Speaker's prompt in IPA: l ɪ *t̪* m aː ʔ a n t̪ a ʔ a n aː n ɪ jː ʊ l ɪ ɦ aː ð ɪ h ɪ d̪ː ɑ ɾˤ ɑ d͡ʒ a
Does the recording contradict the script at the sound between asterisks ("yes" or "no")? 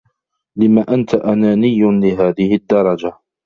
yes